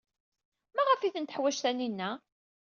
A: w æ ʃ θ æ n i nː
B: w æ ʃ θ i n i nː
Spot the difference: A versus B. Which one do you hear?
A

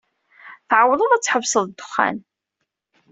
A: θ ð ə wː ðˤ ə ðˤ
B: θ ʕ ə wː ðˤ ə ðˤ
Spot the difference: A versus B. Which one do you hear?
B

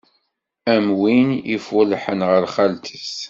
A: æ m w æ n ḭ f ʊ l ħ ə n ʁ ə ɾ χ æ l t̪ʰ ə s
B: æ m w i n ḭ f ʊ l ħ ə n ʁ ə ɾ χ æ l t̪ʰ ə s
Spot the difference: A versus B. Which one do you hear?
B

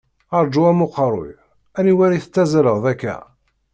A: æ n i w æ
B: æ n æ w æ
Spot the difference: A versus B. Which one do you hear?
A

